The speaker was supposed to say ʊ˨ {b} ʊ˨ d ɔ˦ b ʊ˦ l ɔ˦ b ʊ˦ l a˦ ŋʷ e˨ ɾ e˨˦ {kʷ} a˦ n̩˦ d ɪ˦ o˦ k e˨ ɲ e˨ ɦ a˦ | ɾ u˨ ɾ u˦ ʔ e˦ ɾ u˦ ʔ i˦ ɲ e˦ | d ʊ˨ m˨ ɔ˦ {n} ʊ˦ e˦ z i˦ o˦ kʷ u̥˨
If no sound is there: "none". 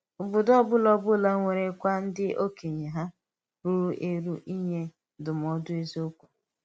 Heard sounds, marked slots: b, kʷ, d

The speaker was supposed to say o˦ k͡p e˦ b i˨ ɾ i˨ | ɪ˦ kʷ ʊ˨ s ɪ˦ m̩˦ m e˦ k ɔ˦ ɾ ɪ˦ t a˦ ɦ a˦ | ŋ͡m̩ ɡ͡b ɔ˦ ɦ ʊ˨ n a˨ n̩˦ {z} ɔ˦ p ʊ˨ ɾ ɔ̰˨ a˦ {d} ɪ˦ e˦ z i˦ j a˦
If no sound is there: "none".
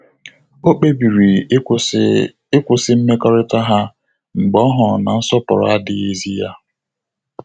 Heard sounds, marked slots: s, d

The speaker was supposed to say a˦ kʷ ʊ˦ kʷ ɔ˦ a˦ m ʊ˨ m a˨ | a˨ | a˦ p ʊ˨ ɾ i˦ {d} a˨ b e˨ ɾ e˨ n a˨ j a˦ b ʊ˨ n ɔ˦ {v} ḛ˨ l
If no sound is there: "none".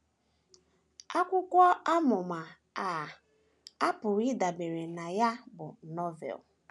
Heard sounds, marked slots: d, v

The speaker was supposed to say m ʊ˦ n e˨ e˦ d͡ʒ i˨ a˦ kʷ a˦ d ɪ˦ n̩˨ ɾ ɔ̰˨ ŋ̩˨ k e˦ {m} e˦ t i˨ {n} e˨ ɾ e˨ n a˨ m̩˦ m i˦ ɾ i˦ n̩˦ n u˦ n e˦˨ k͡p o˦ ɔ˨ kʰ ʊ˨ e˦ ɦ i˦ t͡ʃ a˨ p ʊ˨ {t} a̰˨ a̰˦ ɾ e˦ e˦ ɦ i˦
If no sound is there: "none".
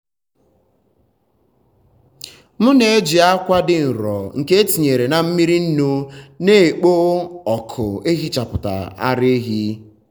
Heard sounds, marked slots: none, ɲ, t

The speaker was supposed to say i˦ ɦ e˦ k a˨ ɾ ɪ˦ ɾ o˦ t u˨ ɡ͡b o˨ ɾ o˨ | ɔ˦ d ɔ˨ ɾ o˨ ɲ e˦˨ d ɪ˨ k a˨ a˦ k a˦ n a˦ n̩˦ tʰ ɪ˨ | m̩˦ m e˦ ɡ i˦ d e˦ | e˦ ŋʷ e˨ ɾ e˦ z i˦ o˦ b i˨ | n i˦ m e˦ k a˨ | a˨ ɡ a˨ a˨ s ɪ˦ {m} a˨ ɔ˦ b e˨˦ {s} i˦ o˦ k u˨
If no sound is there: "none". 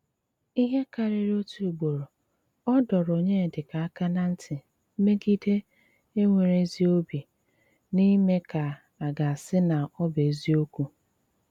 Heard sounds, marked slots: n, z

